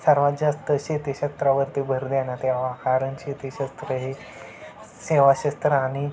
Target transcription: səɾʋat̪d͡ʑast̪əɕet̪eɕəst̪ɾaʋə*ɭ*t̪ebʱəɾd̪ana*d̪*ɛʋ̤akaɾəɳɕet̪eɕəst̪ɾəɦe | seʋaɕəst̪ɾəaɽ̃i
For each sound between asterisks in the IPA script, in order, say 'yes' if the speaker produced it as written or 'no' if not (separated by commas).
no, no